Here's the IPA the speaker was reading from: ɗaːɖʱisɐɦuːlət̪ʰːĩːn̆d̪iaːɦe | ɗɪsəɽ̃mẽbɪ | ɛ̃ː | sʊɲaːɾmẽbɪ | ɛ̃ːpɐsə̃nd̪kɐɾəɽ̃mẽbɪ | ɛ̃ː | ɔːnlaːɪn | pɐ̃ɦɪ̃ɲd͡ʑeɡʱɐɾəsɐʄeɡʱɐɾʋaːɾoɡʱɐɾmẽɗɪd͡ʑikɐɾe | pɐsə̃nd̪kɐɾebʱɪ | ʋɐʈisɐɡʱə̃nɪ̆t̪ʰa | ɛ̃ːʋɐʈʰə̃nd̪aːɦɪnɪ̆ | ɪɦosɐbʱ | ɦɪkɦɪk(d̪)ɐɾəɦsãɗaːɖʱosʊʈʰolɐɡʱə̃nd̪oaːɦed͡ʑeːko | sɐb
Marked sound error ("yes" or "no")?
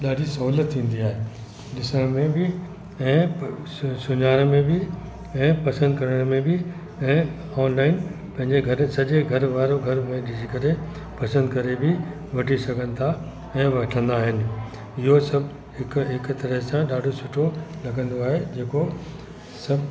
yes